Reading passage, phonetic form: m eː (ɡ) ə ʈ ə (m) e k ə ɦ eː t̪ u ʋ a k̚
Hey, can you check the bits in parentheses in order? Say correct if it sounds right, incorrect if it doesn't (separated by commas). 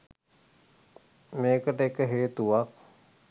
incorrect, incorrect